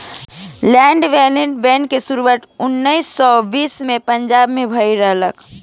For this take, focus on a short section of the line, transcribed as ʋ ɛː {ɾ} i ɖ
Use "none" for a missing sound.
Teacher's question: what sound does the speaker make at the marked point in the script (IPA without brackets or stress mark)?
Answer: l